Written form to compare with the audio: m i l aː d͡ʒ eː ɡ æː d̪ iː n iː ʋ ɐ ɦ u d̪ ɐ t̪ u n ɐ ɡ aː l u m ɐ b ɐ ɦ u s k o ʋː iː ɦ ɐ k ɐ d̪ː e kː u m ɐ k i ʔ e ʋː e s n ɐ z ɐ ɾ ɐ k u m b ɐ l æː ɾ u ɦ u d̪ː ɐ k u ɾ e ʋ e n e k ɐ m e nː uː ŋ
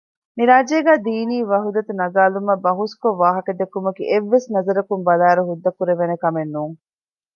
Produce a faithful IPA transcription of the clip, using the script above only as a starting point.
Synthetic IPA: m i ɾ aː d͡ʒ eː ɡ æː d̪ iː n iː ʋ ɐ ɦ u d̪ ɐ t̪ u n ɐ ɡ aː l u m ɐ b ɐ ɦ u s k o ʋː aː ɦ ɐ k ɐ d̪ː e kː u m ɐ k i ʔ e ʋː e s n ɐ z ɐ ɾ ɐ k u m b ɐ l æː ɾ u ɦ u d̪ː ɐ k u ɾ e ʋ e n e k ɐ m e nː uː ŋ